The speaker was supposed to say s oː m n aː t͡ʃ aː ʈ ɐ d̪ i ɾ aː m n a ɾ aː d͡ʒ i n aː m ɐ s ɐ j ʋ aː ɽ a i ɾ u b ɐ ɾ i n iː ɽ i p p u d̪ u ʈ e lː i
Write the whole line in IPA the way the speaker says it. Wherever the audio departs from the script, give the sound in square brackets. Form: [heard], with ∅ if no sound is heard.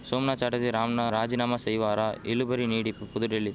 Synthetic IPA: s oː m n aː t͡ʃ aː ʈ ɐ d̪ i ɾ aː m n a ɾ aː d͡ʒ i n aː m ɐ s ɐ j ʋ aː [ɾ] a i [l] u b ɐ ɾ i n iː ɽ i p p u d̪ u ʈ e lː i